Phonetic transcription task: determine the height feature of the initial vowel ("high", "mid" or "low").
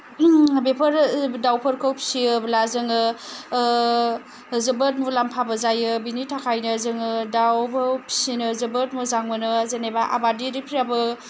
mid